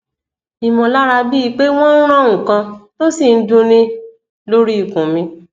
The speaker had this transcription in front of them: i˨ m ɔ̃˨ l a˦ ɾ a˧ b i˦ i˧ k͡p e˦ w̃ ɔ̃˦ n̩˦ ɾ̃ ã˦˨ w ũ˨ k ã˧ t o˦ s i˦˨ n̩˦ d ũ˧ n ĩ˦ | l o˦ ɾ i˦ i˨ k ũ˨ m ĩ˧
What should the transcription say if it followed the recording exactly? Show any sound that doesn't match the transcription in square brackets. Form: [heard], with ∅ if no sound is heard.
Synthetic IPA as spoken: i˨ m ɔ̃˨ l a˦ ɾ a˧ b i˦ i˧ k͡p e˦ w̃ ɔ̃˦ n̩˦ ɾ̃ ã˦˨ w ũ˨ k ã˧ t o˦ s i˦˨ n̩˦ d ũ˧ n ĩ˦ | l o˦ ɾ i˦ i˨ k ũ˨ m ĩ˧

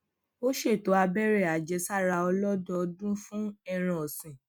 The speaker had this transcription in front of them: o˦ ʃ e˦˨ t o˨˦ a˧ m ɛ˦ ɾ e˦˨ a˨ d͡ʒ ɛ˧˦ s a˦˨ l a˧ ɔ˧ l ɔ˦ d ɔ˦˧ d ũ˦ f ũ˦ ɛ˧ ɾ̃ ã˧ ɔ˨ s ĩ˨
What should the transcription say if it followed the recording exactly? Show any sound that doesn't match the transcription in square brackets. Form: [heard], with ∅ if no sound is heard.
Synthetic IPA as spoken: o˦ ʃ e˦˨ t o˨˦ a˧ [b] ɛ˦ ɾ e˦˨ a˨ d͡ʒ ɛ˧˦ s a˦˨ [ɾ] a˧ ɔ˧ l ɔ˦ d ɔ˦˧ d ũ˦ f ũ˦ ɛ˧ ɾ̃ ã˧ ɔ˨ s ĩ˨

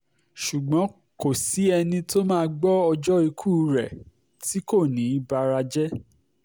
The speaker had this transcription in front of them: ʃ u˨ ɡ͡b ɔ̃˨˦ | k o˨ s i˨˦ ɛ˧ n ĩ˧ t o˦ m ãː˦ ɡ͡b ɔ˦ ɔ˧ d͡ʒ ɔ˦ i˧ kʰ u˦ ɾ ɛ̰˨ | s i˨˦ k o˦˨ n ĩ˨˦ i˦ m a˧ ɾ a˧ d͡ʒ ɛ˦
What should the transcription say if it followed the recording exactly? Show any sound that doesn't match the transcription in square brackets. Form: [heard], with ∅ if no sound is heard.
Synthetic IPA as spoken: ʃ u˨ ɡ͡b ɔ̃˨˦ | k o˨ s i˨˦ ɛ˧ n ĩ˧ t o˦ m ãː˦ ɡ͡b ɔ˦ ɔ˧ d͡ʒ ɔ˦ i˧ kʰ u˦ ɾ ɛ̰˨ | [t] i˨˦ k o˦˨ n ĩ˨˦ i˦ [b] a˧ ɾ a˧ d͡ʒ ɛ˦

